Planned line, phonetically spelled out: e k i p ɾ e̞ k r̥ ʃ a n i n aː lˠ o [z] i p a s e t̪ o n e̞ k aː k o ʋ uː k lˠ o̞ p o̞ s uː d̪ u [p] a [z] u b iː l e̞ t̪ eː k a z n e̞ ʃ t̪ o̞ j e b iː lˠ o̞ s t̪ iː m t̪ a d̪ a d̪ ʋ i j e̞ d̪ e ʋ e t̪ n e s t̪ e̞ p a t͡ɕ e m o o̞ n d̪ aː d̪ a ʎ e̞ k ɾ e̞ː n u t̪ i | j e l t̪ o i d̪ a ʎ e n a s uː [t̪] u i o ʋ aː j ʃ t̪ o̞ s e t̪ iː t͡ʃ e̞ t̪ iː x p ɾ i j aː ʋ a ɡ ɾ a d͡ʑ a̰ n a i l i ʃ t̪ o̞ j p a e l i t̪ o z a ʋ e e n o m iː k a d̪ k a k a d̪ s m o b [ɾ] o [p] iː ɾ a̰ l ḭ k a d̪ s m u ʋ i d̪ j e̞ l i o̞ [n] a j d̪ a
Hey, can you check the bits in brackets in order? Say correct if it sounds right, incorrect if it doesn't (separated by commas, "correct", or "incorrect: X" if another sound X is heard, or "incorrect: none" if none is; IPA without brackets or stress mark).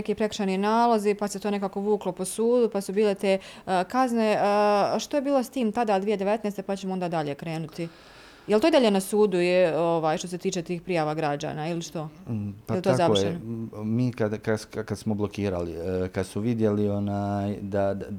correct, correct, incorrect: s, incorrect: d̪, incorrect: l, incorrect: k, correct